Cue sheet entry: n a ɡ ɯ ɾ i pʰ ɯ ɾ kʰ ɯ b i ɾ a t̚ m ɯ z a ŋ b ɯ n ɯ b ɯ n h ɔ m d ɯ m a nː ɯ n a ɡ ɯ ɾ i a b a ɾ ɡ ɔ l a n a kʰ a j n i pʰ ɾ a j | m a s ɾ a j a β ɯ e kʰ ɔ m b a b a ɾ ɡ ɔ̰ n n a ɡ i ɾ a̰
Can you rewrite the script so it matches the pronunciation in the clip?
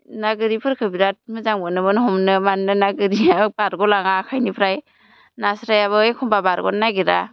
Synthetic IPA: n a ɡ ɯ ɾ i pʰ ɯ ɾ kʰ ɯ b i ɾ a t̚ m ɯ z a ŋ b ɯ n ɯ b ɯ n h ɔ m n ɯ m a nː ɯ n a ɡ ɯ ɾ i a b a ɾ ɡ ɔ l a ŋ a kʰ a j n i pʰ ɾ a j | n a s ɾ a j a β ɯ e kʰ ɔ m b a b a ɾ ɡ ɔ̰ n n a ɡ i ɾ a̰